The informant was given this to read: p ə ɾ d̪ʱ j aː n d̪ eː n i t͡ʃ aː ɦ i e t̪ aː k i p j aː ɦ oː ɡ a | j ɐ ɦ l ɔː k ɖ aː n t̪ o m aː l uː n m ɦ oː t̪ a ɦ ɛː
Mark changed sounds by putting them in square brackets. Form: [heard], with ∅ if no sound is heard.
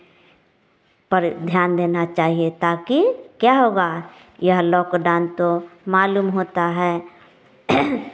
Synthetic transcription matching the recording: p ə ɾ d̪ʱ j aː n d̪ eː n [a] t͡ʃ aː ɦ i e t̪ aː k i [k] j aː ɦ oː ɡ a | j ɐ ɦ l ɔː k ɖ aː n t̪ o m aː l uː [∅] m ɦ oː t̪ a ɦ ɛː